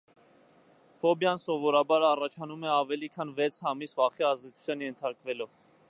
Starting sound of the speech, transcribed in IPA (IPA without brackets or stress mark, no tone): f